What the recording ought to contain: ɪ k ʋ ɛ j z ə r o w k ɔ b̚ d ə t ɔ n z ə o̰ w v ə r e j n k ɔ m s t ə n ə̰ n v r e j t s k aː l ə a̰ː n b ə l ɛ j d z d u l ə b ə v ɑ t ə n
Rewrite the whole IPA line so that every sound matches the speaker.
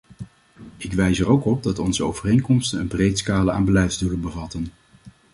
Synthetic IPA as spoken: ɪ k ʋ ɛ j z ə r o w k ɔ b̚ d ɑ t ɔ n z ə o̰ w v ə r e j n k ɔ m s t ə n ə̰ n b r e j t s k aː l ə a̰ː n b ə l ɛ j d z d u l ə b ə v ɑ t ə n